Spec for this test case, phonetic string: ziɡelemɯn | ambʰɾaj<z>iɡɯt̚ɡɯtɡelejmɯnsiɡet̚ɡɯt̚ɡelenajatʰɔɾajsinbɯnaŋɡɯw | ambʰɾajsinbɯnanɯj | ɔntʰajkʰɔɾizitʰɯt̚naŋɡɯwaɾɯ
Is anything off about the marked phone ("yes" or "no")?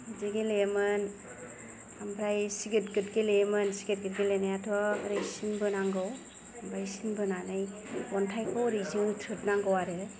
yes